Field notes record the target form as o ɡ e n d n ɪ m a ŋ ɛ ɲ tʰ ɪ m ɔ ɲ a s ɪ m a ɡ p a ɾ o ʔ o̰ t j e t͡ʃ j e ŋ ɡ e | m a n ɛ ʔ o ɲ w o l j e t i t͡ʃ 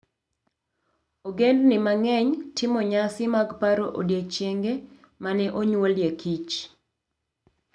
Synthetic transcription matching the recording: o ɡ e n d n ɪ m a ŋ ɛ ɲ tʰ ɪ m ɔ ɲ a s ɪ m a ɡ p a ɾ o ʔ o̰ d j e t͡ʃ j e ŋ ɡ e | m a n ɛ ʔ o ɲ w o l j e k i t͡ʃ